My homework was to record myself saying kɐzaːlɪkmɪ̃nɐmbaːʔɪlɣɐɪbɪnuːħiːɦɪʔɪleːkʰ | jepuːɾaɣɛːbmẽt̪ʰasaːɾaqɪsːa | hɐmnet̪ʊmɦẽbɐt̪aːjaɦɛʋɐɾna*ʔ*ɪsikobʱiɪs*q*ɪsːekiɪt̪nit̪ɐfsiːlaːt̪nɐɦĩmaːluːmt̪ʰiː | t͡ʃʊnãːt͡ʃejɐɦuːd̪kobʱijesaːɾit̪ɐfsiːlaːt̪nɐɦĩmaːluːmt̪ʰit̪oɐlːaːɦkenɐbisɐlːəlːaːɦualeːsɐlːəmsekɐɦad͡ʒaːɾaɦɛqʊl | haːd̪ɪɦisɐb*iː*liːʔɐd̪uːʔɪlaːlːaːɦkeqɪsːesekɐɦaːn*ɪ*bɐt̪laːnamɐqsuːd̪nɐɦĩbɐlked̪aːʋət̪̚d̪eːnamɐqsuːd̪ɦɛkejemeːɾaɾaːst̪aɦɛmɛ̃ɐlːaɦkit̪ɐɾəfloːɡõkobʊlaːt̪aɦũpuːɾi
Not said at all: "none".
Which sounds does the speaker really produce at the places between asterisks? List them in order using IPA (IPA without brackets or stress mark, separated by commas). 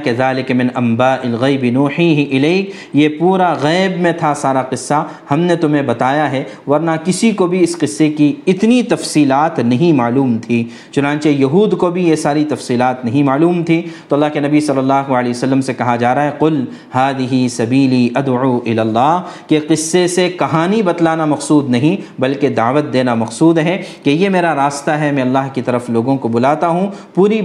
k, q, iː, i